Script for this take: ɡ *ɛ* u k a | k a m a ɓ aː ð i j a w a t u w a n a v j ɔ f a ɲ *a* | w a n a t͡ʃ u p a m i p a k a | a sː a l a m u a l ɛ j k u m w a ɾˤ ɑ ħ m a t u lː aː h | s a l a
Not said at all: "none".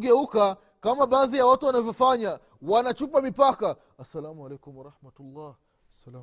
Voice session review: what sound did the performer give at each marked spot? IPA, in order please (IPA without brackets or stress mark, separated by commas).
ɛ, a